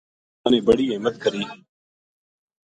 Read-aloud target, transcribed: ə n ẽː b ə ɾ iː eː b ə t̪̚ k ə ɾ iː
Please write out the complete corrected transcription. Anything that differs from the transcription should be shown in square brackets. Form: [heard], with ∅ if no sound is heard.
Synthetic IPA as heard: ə n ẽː b ə [ɽ] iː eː [m] ə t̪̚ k ə ɾ iː